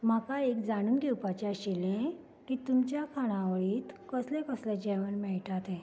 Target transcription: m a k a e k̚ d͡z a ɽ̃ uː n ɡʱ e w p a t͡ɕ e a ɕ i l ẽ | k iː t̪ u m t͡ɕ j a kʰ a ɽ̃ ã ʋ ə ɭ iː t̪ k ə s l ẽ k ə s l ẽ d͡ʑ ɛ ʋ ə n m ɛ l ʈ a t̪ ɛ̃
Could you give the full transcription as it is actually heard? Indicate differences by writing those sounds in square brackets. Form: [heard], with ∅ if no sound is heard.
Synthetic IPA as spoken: m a k a e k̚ d͡z a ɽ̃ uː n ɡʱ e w p a t͡ɕ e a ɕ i l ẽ | k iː t̪ u m t͡ɕ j a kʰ a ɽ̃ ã ʋ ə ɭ iː t̪ k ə s l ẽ k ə s l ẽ d͡ʑ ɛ ʋ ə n m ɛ [ɭ] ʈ a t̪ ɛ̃